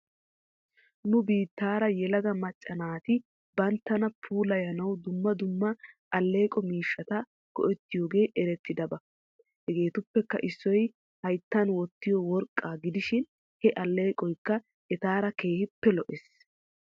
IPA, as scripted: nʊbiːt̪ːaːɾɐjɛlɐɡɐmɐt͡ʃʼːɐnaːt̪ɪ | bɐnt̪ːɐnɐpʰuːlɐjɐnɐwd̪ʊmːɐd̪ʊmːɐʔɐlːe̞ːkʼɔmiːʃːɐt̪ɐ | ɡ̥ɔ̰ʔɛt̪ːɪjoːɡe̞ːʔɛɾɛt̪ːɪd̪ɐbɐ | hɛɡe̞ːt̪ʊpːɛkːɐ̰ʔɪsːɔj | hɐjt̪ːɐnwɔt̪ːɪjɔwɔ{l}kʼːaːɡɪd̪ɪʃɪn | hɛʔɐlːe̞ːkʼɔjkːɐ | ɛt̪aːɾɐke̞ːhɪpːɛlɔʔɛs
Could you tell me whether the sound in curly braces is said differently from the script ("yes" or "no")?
yes